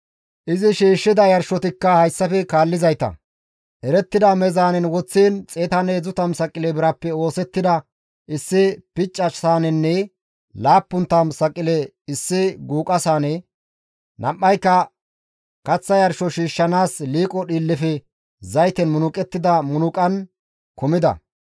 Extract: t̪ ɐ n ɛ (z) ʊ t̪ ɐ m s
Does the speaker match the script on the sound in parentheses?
yes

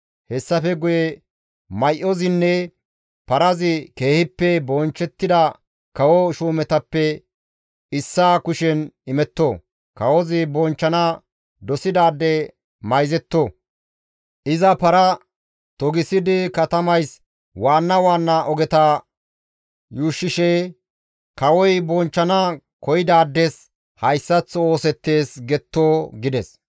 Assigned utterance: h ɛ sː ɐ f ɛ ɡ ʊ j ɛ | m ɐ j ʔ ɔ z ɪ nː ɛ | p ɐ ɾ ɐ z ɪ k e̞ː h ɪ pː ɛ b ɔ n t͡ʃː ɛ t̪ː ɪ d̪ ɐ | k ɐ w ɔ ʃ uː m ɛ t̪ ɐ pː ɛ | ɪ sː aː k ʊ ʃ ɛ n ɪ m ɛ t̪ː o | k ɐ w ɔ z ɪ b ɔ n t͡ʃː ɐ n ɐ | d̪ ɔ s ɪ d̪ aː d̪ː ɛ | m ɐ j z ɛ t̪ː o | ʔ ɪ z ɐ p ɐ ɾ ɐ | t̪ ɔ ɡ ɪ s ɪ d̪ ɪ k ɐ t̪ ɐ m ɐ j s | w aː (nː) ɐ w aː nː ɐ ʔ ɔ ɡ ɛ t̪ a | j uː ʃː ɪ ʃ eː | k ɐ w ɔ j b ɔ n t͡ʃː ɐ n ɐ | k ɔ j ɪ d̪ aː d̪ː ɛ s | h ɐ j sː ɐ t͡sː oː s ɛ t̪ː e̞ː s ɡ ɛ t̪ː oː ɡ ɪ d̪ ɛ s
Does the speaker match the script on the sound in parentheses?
yes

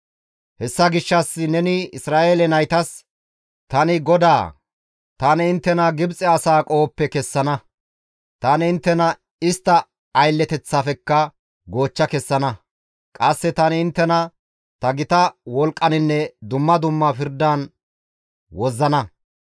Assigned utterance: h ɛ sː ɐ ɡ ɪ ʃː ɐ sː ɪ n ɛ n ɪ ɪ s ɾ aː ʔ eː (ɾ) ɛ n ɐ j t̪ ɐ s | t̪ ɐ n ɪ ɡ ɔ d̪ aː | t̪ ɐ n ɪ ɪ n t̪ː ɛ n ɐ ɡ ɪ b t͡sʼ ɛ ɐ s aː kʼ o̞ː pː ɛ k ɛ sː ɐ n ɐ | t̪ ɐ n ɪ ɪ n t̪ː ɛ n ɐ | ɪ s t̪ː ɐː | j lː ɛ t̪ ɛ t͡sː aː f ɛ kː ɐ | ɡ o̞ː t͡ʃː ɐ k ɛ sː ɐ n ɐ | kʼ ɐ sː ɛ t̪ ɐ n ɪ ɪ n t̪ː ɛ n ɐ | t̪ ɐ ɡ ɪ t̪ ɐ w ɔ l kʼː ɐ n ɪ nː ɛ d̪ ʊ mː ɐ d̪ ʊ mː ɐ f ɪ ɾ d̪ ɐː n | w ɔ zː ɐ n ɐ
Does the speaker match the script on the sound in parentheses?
no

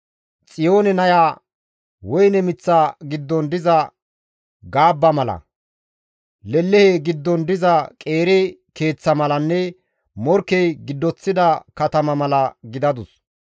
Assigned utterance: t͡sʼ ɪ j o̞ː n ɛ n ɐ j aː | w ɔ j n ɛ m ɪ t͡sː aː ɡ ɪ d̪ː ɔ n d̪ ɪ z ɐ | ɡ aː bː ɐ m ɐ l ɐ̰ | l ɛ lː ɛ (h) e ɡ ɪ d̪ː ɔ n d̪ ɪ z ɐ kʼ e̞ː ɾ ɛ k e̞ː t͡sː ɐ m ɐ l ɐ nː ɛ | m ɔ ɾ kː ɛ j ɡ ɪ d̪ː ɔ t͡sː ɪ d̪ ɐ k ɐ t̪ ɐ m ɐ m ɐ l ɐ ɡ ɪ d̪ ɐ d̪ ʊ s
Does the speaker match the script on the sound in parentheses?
yes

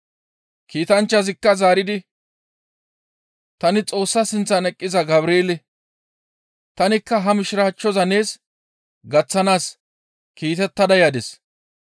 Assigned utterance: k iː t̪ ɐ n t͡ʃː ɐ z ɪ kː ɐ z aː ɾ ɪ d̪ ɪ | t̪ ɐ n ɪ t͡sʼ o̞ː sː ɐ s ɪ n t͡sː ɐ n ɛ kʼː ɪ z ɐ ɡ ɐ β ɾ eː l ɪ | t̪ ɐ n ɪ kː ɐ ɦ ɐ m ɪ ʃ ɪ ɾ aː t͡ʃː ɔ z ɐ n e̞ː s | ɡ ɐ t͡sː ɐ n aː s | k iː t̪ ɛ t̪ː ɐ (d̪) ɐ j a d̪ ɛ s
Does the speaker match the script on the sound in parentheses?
yes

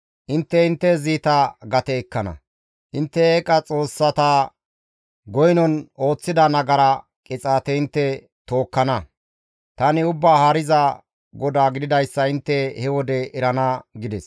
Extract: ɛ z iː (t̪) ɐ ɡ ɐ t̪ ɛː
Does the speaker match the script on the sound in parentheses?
yes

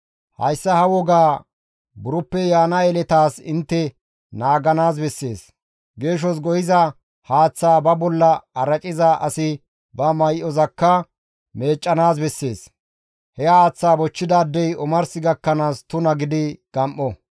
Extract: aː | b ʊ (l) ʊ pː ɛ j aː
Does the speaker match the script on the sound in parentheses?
no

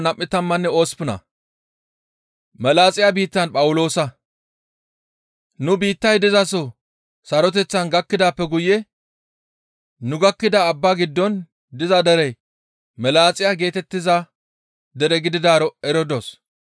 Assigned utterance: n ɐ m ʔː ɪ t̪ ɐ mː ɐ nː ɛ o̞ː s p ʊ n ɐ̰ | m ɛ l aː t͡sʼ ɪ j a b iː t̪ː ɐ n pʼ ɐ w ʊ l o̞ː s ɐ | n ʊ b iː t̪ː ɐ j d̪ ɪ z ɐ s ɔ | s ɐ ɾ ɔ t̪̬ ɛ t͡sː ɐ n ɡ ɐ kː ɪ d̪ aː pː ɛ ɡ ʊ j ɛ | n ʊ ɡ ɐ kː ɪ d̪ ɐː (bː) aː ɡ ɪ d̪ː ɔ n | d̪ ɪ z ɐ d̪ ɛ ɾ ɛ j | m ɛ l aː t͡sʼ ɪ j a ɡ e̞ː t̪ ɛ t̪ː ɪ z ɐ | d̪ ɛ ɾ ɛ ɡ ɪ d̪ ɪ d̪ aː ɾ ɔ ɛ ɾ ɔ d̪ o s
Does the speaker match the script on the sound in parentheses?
yes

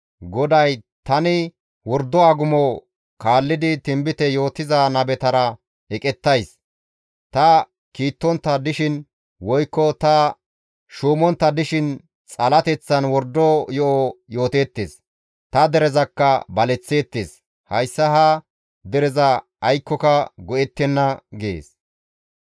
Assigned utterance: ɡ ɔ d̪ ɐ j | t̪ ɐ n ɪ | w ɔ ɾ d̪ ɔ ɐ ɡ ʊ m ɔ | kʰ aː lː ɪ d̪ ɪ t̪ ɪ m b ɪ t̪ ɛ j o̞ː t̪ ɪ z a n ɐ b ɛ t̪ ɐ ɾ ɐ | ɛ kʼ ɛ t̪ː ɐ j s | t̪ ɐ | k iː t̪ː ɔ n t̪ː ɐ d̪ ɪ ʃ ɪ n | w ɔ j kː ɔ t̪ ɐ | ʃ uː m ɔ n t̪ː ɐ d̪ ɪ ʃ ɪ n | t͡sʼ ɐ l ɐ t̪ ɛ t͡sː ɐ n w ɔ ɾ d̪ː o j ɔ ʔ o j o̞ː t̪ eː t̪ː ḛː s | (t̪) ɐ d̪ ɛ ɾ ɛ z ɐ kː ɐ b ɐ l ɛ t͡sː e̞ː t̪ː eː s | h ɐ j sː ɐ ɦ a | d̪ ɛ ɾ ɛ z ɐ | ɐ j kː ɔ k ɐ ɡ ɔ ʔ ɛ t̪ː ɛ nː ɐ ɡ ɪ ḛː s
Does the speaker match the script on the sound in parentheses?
yes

